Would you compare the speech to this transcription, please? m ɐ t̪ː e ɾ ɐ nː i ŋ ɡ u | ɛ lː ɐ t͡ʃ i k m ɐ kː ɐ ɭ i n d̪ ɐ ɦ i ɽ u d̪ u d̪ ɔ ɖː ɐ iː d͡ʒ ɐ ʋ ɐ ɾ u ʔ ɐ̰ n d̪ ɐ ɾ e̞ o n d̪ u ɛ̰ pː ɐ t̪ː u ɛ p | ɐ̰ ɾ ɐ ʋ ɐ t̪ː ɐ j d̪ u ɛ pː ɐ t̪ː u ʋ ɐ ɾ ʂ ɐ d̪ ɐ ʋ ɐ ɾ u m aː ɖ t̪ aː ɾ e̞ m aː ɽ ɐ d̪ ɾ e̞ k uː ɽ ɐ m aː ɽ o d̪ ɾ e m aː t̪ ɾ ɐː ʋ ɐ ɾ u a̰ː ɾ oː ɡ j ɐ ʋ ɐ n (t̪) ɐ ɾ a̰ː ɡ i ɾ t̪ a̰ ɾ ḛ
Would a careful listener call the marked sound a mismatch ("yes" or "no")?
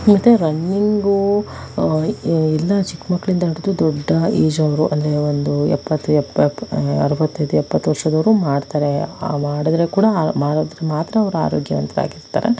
no